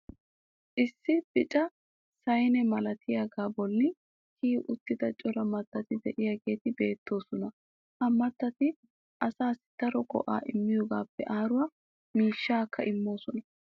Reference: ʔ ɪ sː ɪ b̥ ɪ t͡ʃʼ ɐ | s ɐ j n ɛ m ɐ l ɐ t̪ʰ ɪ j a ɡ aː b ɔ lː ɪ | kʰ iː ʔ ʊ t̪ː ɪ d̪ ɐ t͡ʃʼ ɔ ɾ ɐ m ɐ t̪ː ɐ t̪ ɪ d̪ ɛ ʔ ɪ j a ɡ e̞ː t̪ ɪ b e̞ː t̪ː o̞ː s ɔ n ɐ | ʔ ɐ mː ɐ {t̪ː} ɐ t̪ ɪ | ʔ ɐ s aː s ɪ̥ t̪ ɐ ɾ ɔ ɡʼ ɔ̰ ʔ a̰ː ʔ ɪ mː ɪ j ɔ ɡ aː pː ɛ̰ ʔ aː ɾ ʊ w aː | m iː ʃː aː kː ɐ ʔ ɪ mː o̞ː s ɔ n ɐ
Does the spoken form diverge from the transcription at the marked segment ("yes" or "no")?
no